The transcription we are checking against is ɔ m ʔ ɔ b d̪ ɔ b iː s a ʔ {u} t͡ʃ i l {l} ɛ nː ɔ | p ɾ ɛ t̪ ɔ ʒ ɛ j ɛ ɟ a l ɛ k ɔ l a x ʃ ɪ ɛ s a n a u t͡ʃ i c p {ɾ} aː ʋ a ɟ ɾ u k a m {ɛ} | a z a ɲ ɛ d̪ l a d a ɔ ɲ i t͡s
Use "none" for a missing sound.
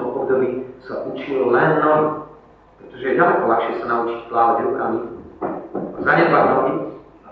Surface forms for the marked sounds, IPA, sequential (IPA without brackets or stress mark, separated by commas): u, l, l, i